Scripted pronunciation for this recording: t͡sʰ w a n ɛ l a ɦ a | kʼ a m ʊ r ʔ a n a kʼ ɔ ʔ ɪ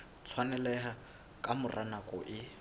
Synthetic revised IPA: t͡sʰ w a n ɛ l ɛ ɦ a | kʼ a m ʊ r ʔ a n a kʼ ɔ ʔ ɪ